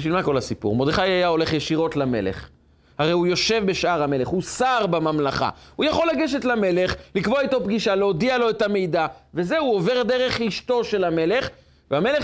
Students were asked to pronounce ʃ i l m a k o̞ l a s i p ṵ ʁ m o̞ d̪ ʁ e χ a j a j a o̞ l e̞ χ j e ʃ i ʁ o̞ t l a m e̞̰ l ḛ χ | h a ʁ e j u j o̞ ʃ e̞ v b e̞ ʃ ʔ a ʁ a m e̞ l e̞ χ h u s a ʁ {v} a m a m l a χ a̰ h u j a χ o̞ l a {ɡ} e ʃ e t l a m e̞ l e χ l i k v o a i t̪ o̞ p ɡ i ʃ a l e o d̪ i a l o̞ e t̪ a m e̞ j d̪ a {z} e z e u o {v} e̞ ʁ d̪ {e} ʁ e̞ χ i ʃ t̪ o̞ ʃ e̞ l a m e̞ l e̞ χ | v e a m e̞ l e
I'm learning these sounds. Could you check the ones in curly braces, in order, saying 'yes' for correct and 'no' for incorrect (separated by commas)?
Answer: no, yes, no, yes, yes